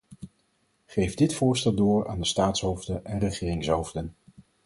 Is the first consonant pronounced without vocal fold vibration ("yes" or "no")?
yes